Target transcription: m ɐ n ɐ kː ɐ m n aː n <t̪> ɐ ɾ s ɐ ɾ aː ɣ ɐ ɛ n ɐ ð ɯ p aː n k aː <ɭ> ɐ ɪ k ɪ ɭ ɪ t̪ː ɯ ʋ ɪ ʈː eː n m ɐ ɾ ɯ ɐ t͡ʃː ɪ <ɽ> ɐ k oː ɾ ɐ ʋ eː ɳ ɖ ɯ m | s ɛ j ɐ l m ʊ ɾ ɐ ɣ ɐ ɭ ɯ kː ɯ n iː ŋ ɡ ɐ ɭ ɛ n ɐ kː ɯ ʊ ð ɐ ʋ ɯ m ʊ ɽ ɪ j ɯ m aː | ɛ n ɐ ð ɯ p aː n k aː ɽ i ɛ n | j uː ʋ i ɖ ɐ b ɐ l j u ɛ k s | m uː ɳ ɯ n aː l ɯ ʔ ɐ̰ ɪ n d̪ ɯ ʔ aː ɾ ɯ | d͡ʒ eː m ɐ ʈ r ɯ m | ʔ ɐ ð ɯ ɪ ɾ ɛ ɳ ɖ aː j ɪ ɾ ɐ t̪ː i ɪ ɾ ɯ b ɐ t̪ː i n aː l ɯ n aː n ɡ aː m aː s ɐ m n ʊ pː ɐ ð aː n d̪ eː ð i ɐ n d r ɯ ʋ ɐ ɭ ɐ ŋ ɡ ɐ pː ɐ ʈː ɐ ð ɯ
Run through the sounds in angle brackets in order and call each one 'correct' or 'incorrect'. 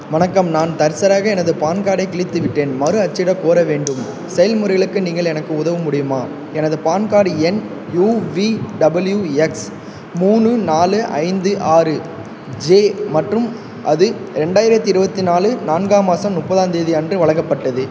correct, incorrect, correct

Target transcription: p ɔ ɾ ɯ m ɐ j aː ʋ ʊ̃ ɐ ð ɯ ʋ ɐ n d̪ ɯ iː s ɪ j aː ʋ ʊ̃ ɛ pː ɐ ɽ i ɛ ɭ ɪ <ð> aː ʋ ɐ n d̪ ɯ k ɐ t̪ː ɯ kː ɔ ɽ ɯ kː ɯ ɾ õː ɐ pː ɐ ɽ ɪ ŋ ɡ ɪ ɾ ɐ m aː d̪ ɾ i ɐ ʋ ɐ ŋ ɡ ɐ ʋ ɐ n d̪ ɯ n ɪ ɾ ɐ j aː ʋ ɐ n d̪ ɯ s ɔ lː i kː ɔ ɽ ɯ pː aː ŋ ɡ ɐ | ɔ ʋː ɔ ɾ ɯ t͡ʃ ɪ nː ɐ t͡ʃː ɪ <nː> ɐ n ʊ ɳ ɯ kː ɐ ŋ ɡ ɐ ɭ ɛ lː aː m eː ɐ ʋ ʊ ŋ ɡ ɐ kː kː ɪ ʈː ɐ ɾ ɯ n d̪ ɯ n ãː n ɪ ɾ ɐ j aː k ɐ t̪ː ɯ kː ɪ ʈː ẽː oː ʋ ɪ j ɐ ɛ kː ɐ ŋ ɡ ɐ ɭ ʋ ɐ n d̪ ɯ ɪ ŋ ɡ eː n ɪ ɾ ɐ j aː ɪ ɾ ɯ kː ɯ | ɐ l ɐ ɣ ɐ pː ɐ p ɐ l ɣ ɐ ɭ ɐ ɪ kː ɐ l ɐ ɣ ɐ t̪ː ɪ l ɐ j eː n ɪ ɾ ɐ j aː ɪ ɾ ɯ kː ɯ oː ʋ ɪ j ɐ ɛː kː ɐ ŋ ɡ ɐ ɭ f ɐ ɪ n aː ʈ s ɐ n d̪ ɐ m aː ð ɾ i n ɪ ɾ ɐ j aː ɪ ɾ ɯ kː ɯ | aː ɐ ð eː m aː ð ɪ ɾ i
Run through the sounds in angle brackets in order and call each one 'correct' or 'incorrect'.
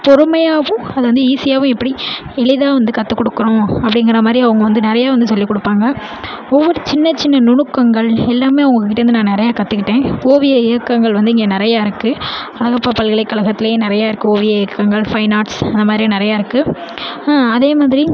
correct, correct

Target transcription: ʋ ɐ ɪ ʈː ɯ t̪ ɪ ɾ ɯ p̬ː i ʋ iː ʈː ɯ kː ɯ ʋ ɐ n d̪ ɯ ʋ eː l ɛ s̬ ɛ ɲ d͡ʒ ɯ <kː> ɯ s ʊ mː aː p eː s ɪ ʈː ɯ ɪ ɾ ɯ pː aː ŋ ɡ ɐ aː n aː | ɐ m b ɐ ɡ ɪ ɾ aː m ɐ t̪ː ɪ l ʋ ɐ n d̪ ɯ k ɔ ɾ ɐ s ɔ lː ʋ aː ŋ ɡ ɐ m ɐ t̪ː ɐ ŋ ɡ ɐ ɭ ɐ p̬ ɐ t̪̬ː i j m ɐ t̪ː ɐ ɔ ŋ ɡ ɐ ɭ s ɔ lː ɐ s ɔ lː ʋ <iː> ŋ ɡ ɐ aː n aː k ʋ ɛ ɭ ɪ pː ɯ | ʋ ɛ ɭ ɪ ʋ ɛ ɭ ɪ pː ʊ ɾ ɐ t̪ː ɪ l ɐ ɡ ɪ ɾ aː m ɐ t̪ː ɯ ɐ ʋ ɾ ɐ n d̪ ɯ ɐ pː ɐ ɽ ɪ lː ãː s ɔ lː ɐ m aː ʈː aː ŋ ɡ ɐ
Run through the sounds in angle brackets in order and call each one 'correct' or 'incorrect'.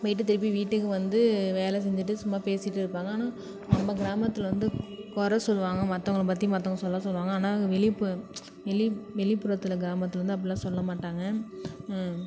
incorrect, incorrect

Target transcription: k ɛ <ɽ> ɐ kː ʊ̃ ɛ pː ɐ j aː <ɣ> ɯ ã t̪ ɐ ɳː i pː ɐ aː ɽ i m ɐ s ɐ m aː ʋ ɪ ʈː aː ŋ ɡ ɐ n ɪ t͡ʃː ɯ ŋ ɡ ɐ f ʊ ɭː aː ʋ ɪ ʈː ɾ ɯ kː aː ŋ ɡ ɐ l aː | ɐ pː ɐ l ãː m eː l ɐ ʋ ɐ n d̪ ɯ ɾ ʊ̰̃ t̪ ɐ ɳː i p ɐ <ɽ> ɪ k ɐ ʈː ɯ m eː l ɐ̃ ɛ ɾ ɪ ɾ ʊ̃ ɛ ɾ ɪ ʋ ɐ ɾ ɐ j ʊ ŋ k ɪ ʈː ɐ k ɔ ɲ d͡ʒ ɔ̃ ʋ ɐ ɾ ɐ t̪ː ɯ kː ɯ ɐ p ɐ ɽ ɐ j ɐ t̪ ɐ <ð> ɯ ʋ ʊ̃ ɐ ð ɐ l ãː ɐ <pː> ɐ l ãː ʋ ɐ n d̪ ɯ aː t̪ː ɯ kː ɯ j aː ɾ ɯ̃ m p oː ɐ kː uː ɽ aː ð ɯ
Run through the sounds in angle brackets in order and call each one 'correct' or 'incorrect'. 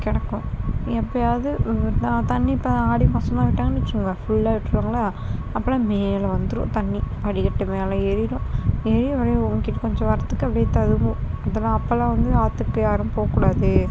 correct, incorrect, correct, correct, correct

